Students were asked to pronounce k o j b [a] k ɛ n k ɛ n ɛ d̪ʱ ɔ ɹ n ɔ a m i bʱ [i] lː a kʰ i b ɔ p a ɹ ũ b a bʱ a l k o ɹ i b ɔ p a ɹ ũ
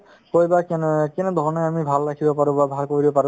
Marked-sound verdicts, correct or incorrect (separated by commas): correct, incorrect